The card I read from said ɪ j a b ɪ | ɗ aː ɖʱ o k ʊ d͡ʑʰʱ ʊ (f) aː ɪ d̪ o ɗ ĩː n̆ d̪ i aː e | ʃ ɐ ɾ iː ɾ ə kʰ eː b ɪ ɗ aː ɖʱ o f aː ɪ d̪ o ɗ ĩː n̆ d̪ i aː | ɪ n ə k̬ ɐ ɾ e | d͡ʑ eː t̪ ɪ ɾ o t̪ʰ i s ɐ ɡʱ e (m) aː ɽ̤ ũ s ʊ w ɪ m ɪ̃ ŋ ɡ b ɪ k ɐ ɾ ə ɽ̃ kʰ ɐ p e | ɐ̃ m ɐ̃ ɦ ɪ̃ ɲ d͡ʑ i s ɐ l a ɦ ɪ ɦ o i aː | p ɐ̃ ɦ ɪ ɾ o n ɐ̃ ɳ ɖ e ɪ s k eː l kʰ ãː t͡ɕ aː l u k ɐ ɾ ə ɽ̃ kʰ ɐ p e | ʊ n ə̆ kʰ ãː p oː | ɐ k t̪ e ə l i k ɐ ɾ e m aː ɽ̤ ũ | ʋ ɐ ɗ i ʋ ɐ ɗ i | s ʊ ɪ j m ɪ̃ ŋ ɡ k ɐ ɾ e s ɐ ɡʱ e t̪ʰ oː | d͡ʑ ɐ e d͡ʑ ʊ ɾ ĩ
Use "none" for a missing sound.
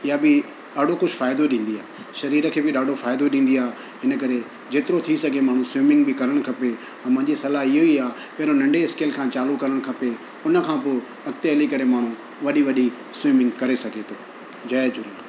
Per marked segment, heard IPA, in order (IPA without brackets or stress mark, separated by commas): f, m